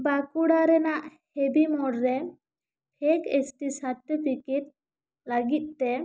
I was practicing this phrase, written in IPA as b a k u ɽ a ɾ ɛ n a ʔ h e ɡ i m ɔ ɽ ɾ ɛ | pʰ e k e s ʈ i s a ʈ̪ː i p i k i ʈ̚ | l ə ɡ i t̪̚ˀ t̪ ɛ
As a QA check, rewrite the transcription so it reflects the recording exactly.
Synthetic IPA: b a k u ɽ a ɾ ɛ n a ʔ h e b i m ɔ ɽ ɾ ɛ | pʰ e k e s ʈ i s a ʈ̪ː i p i k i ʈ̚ | l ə ɡ i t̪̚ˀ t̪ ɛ